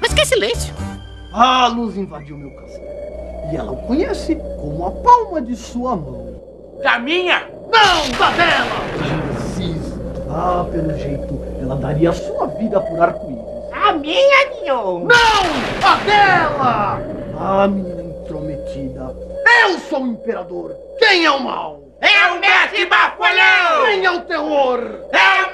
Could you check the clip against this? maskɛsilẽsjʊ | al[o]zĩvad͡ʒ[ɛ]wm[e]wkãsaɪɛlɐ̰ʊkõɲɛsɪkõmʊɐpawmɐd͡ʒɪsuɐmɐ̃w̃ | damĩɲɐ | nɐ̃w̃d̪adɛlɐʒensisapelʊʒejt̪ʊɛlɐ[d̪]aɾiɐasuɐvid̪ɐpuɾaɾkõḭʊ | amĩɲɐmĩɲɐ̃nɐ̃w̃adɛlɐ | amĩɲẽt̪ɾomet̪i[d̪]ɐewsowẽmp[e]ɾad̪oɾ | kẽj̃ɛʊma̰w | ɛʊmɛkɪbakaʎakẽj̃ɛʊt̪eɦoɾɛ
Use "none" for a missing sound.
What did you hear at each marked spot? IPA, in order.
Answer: u, i, e, d̪, d̪, e

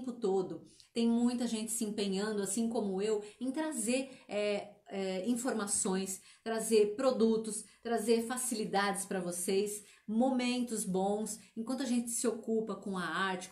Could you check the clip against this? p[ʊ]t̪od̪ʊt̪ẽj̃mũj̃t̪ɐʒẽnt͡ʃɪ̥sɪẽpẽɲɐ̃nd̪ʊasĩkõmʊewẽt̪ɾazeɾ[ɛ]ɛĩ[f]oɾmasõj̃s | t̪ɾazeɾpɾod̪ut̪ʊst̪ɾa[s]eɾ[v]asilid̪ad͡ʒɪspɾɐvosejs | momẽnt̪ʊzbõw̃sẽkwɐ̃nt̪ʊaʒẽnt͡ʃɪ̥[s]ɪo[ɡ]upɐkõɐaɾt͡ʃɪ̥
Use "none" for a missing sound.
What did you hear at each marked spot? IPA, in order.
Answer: ʊ, ɛ, f, z, f, s, k

